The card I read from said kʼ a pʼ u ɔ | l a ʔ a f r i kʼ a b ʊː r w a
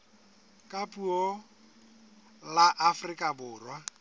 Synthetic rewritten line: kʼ a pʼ u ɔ | l a ʔ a f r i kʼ a b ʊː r w a

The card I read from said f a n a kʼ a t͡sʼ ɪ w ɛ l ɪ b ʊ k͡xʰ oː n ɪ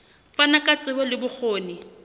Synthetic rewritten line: f a n a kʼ a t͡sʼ ɪ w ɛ l ɪ b ʊ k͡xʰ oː n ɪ

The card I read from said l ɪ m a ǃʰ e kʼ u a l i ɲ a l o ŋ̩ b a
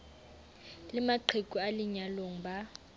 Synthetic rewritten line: l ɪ m a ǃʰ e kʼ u a l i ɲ a l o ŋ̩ b a

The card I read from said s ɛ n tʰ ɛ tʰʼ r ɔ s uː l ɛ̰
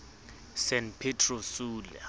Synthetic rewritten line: s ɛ n pʰ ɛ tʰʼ r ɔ s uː l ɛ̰

